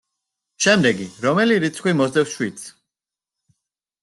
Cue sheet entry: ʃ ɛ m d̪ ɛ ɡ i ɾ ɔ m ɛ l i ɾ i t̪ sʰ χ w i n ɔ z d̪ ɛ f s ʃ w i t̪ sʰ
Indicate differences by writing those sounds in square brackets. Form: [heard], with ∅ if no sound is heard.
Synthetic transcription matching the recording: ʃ ɛ m d̪ ɛ ɡ i ɾ ɔ m ɛ l i ɾ i t̪ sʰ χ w i [m] ɔ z d̪ ɛ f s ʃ w i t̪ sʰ